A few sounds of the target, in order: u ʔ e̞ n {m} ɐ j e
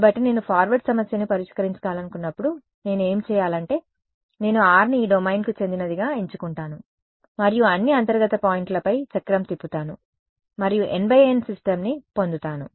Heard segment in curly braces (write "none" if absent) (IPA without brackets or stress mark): b